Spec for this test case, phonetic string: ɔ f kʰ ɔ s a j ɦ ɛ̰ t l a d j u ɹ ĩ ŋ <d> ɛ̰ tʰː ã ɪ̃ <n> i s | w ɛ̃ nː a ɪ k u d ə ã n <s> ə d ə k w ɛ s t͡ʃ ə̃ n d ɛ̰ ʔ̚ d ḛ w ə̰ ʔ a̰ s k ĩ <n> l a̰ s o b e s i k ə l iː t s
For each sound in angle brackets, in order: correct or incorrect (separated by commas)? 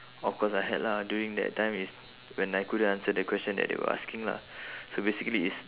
correct, incorrect, correct, incorrect